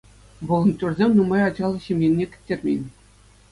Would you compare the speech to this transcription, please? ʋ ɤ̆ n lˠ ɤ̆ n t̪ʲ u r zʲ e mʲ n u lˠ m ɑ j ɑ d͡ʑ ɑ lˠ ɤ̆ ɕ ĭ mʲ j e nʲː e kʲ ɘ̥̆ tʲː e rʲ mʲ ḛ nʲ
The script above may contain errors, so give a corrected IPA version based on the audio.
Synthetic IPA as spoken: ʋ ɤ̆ lˠ ɤ̆ n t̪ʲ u r zʲ e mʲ n u m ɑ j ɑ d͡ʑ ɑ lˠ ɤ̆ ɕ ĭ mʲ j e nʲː e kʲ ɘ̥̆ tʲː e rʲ mʲ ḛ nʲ